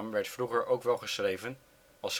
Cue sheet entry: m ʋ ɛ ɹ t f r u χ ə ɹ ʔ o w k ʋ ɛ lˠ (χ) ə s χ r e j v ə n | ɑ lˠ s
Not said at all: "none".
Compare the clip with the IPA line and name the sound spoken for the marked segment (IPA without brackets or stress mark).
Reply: χ